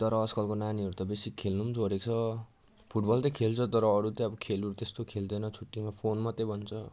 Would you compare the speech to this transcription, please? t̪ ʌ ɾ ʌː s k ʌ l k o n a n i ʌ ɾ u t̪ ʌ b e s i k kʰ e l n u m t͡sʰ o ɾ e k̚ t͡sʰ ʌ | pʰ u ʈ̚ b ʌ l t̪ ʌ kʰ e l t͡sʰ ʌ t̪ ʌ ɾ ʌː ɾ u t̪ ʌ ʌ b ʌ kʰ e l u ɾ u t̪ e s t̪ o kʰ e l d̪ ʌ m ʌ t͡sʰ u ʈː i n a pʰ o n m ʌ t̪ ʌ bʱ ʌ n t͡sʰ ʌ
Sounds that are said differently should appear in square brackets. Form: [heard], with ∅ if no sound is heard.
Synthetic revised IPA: t̪ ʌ ɾ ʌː s k ʌ l k o n a n i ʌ ɾ u t̪ ʌ b e s i k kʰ e l n u m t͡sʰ o ɾ e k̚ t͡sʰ ʌ | pʰ u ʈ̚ b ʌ l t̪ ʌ kʰ e l t͡sʰ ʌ t̪ ʌ ɾ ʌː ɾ u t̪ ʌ ʌ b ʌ kʰ e l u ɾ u t̪ e s t̪ o kʰ e l d̪ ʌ [n] ʌ t͡sʰ u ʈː i [m] a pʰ o n m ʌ t̪ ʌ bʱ ʌ n t͡sʰ ʌ

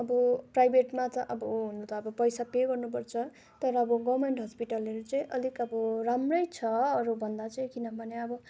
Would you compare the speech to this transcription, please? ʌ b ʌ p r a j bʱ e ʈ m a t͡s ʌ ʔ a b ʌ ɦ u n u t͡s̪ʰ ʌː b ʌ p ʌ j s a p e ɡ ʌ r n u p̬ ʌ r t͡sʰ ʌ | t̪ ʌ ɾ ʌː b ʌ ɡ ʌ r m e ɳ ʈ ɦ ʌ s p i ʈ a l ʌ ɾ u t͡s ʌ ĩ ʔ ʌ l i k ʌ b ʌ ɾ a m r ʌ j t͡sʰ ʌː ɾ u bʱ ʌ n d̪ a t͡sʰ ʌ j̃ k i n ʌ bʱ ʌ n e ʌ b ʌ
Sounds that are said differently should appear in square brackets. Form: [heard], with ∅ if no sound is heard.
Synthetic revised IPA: ʌ b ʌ p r a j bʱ e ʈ m a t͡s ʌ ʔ [ʌ] b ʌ ɦ u n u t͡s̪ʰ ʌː b ʌ p ʌ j s a p e ɡ ʌ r n u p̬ ʌ r t͡sʰ ʌ | t̪ ʌ ɾ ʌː b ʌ ɡ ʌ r m e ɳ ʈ ɦ ʌ s p i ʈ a l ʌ ɾ u t͡s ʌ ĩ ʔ ʌ l i k ʌ b ʌ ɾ a m r ʌ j t͡sʰ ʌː ɾ u bʱ ʌ n d̪ a [t͡s] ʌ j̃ k i n ʌ bʱ ʌ n e ʌ b ʌ

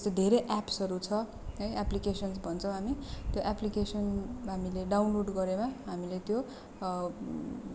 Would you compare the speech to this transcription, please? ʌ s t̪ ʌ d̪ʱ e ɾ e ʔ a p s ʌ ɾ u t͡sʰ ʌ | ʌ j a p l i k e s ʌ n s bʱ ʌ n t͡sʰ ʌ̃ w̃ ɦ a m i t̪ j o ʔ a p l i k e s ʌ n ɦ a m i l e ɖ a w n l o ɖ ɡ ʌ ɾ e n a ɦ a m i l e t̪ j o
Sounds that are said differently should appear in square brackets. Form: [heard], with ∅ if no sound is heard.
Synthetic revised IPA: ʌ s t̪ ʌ d̪ʱ e ɾ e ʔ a p s ʌ ɾ u t͡sʰ ʌ | ʌ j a p l i k e s ʌ n s bʱ ʌ n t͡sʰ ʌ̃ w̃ ɦ a m i t̪ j o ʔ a p l i k e s ʌ n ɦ a m i l e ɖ a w n l o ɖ ɡ ʌ ɾ e [m] a ɦ a m i l e t̪ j o

